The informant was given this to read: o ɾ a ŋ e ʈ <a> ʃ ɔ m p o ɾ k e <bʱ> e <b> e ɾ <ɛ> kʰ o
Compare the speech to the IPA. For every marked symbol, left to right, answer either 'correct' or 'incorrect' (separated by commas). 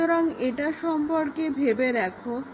correct, correct, correct, correct